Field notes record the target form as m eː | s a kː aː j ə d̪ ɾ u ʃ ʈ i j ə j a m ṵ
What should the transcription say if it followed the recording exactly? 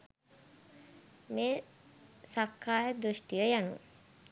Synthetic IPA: m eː | s a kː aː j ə d̪ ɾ u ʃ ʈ i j ə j a n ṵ